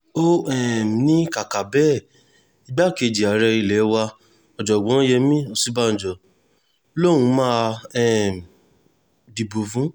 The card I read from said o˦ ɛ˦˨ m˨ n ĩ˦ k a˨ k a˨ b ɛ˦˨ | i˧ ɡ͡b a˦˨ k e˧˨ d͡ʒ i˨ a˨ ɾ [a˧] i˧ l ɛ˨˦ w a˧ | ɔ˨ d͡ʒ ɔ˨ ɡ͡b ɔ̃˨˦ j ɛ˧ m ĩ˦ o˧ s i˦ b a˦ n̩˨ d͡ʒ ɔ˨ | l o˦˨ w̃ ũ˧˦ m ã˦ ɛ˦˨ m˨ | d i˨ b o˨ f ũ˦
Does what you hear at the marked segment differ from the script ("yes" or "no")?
yes